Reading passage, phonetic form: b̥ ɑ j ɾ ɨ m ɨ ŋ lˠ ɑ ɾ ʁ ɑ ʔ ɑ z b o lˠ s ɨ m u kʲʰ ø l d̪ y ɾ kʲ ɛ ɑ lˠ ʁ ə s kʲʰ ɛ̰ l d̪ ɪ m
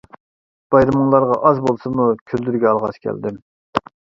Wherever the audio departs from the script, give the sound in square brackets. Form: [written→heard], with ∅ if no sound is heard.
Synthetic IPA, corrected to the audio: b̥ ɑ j ɾ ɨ m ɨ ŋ lˠ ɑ ɾ ʁ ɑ ʔ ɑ z b o lˠ s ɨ m u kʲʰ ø l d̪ y ɾ [kʲ→ɡʲ] ɛ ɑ lˠ ʁ [ə→ɑ] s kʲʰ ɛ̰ l d̪ ɪ m